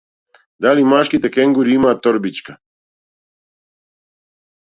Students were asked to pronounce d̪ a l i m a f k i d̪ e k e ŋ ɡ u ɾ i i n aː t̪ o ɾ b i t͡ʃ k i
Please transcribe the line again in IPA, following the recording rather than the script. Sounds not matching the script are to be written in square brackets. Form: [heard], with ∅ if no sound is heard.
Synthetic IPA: d̪ a l i m a [ʃ] k i [t̪] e k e ŋ ɡ u ɾ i i [m] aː t̪ o ɾ b i t͡ʃ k [a]